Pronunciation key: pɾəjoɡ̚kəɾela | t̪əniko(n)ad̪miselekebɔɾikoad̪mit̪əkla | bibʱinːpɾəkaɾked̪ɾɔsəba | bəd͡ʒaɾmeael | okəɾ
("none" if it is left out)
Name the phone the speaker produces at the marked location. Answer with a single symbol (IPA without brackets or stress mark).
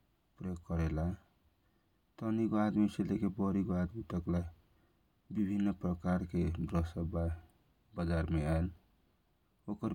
none